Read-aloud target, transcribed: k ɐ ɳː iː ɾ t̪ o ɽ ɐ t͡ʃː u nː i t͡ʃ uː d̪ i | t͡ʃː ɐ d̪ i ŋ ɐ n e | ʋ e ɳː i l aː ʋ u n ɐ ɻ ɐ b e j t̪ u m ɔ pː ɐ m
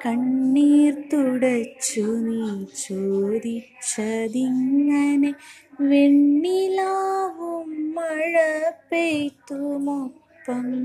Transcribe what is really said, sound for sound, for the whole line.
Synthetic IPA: k ɐ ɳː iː ɾ t̪ u ɽ ɐ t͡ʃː u n i t͡ʃ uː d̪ i | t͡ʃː ɐ d̪ i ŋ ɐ n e | ʋ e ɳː i l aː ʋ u m ɐ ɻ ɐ p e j t̪ u m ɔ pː ɐ m